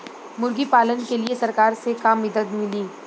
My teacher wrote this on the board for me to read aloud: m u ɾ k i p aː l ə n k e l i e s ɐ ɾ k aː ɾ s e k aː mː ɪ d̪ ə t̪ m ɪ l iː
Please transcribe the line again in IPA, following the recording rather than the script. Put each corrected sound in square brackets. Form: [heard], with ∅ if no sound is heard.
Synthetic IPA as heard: m [ʊ] ɾ [ɡ] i p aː l ə n k e l i e s ɐ ɾ k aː ɾ s e k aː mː ɪ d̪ ə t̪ m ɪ l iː

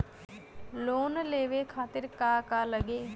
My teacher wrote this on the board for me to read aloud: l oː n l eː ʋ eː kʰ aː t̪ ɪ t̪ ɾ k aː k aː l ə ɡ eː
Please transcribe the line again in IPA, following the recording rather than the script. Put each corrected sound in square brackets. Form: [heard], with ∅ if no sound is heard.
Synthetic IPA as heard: l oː n l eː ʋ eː kʰ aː t̪ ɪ [∅] ɾ k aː k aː l ə ɡ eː

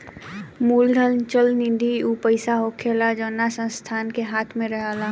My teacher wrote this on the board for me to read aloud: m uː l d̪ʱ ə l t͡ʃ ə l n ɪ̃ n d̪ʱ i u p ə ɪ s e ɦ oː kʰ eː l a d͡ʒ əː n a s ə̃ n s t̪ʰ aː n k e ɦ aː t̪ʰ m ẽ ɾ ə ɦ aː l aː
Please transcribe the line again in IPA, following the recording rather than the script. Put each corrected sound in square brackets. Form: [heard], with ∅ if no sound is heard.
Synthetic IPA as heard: m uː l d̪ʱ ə l t͡ʃ ə l n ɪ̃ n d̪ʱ i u p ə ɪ s [a] ɦ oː kʰ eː l a d͡ʒ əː n a s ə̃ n s t̪ʰ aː n k e ɦ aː t̪ʰ m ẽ ɾ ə ɦ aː l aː

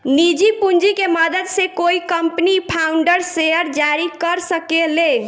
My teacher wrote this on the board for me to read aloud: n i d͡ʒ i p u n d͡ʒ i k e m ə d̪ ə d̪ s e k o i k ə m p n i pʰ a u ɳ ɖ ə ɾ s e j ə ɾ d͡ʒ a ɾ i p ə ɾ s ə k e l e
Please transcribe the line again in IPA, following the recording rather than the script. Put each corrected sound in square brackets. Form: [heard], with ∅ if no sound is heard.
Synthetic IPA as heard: n i d͡ʒ i p u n d͡ʒ i k e m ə d̪ ə d̪ s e k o i k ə m p n i pʰ a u ɳ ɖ ə ɾ s e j ə ɾ d͡ʒ a ɾ i [k] ə ɾ s ə k e l e

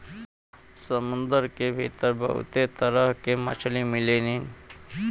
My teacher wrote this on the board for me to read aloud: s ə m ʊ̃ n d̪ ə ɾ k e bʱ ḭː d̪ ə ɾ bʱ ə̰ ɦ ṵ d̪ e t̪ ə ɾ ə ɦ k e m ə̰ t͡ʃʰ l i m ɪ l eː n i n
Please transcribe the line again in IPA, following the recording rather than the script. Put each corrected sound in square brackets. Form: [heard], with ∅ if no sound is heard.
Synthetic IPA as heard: s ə m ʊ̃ n d̪ ə ɾ k e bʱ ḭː [t̪] ə ɾ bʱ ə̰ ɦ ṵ [t̪] e t̪ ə ɾ ə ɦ k e m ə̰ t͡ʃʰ l i m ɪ l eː n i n

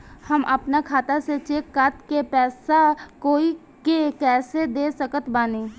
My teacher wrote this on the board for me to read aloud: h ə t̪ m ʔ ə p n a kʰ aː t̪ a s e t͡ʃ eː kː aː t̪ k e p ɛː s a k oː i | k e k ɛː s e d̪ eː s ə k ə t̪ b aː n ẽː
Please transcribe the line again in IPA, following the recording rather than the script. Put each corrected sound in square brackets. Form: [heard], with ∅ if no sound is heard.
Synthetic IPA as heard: h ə [∅] m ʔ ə p n a kʰ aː t̪ a s e t͡ʃ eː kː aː t̪ k e p ɛː s a k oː i | k e k ɛː s e d̪ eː s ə k ə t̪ b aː n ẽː

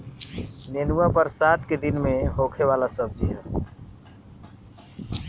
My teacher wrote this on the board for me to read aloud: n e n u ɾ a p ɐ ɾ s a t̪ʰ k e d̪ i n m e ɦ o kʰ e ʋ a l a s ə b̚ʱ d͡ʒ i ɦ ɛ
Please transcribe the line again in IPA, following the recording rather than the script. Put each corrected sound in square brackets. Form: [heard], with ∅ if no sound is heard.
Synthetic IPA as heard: n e n u [∅] a p [ə] ɾ s a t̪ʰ k e d̪ i n m e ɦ o kʰ e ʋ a l a s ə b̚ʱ d͡ʒ i ɦ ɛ

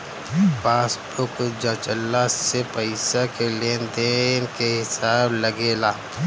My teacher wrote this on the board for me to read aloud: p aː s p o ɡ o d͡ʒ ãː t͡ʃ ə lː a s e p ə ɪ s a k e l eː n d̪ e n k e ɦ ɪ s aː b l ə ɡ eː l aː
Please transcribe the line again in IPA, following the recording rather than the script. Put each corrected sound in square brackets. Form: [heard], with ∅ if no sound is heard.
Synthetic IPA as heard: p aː s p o [k] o d͡ʒ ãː t͡ʃ ə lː a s e p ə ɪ s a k e l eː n d̪ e n k e ɦ ɪ s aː b l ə ɡ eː l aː

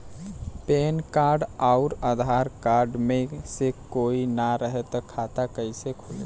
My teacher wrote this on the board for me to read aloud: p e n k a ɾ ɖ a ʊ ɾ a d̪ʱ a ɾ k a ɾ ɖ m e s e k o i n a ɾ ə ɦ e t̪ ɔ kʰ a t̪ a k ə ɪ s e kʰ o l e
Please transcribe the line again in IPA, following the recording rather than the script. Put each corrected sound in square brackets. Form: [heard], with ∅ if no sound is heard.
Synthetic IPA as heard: p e n k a ɾ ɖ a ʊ ɾ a d̪ʱ a ɾ k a ɾ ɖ m e s e k o i n a ɾ ə ɦ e t̪ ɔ kʰ a t̪ a k ə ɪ s e kʰ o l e

